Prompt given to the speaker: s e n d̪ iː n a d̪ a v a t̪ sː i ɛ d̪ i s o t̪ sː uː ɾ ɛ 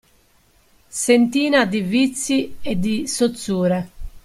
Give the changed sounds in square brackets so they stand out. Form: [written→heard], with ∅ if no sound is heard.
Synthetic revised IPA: s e n [d̪→t̪] iː n a d̪ [a→i] v [a→i] t̪ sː i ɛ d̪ i s o t̪ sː uː ɾ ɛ